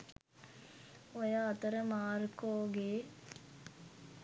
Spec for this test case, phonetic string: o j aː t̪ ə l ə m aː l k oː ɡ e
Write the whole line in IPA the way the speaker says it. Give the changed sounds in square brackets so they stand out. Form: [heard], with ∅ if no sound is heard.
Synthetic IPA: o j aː t̪ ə [ɾ] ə m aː [ɾ] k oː ɡ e

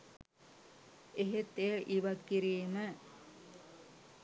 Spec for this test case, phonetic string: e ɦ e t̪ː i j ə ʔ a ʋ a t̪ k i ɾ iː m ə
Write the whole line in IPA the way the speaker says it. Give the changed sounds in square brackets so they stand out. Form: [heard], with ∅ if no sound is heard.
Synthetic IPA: e ɦ e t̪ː [e] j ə ʔ [i] ʋ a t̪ k i ɾ iː m ə

